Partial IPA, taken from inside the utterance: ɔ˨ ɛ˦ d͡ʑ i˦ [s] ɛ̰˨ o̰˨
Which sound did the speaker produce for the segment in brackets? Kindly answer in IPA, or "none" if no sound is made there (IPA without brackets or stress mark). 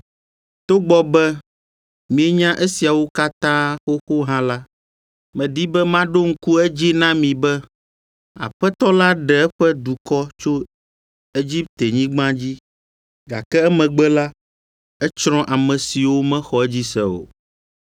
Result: s